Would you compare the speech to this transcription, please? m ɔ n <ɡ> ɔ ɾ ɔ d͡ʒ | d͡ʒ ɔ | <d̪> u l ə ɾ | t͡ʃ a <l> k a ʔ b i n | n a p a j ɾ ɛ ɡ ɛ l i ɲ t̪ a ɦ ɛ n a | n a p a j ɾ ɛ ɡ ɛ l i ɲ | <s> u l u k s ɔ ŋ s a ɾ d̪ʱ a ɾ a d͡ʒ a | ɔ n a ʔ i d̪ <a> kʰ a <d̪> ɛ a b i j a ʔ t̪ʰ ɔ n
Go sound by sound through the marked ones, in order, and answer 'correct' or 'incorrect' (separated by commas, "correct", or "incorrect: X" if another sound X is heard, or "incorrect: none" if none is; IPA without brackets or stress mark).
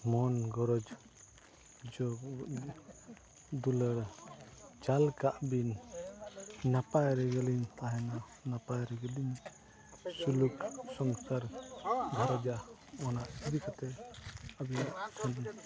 correct, correct, correct, correct, incorrect: i, incorrect: t̪